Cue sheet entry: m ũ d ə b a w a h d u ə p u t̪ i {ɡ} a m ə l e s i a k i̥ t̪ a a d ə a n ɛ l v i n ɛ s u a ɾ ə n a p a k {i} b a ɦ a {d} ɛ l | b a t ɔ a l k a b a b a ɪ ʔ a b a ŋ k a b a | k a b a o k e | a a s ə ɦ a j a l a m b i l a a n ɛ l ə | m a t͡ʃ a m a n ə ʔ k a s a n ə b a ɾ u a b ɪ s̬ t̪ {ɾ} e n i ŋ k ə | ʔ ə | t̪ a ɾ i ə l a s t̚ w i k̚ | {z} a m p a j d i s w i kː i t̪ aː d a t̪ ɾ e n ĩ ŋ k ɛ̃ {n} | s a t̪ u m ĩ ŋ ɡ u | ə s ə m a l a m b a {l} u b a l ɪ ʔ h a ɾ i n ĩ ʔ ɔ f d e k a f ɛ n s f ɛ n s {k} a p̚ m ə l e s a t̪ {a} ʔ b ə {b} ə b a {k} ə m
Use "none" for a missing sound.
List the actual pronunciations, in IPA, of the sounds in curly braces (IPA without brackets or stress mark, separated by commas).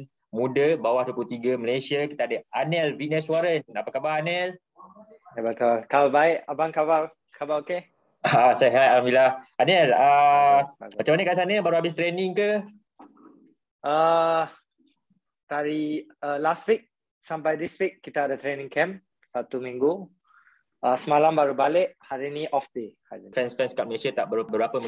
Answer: ɡ, a, n, ɾ, s, m, ɾ, k, a, b, p